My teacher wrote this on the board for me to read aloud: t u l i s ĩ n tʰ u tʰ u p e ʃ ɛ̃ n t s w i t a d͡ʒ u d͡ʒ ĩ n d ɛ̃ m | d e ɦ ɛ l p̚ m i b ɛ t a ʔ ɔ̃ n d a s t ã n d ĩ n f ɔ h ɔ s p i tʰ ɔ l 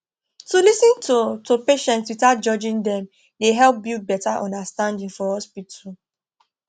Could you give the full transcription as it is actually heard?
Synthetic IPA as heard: t u l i s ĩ n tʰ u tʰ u p e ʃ ɛ̃ n t s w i t a d͡ʒ ɔ d͡ʒ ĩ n d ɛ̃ m | d e ɦ ɛ l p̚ b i b ɛ t a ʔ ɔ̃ n d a s t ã n d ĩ ŋ f ɔ h ɔ s p i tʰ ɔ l